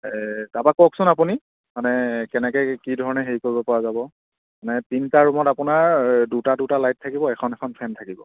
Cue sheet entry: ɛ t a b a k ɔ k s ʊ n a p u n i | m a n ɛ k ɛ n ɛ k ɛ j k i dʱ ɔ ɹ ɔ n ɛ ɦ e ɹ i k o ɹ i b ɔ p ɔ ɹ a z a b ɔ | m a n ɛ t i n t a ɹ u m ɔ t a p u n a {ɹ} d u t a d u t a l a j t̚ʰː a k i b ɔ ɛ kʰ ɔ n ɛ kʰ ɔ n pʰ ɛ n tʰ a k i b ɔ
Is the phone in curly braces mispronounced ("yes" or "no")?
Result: no